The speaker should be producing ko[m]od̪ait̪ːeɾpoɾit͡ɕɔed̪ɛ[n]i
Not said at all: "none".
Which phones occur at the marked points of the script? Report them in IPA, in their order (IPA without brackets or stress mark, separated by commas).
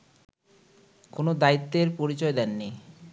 n, nː